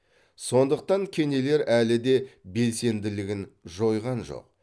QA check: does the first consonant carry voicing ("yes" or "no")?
no